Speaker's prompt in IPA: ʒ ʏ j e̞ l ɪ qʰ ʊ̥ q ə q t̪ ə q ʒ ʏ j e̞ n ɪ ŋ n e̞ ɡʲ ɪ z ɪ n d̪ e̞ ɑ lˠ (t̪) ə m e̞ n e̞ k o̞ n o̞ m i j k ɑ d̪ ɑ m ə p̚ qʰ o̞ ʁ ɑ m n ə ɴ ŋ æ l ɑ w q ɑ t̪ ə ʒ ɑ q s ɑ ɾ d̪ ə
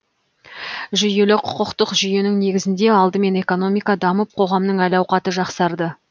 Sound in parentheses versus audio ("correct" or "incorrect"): incorrect